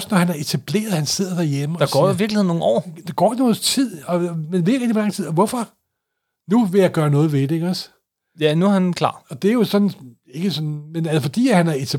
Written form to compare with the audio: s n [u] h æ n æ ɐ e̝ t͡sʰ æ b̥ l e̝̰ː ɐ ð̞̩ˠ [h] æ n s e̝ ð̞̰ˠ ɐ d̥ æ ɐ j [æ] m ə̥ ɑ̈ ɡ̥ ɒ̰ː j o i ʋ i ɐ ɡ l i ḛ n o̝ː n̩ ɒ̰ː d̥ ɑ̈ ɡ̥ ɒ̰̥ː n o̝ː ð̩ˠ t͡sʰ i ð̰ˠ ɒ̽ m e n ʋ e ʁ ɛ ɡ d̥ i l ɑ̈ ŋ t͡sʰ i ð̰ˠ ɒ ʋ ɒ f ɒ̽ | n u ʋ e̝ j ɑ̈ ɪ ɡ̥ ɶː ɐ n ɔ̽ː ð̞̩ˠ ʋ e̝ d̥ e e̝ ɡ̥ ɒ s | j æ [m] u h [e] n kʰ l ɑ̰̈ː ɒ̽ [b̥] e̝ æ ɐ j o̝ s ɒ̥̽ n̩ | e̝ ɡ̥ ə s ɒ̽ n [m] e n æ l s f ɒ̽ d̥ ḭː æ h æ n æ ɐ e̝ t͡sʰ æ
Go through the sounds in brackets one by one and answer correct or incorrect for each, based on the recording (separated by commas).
incorrect, correct, incorrect, incorrect, incorrect, incorrect, correct